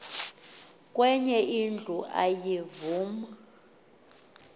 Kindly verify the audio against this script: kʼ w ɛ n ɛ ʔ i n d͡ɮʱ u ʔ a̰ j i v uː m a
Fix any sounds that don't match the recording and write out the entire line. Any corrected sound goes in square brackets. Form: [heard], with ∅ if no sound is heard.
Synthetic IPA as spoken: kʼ w ɛ [ɲ] ɛ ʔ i n d͡ɮʱ u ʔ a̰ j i v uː m a